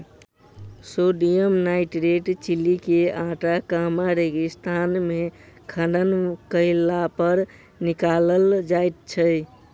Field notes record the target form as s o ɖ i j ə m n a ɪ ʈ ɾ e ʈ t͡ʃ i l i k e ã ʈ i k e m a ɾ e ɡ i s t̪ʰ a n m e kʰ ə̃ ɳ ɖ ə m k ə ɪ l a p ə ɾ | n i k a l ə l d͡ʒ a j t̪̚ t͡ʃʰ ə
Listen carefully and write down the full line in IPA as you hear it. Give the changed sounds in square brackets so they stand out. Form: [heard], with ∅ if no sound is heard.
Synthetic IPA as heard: s o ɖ i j ə m n a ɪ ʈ ɾ e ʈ t͡ʃ i l i k e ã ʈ [a] k [a] m a ɾ e ɡ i s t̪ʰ a n m e kʰ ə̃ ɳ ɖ ə [n] k ə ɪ l a p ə ɾ | n i k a l ə l d͡ʒ a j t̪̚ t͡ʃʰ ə